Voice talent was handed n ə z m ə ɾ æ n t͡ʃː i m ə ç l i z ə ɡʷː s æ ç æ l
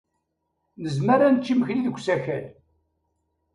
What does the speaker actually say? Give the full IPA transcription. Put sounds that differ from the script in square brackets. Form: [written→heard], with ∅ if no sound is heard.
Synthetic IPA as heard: n ə z m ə ɾ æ n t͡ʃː i m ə ç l i [z→ð] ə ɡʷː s æ ç æ l